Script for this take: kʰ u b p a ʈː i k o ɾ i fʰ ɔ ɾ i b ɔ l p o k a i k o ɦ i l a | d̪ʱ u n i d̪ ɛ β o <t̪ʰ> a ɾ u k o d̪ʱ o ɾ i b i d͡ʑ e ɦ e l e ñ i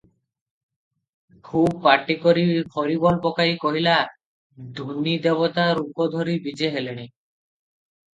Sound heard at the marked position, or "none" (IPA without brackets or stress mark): t̪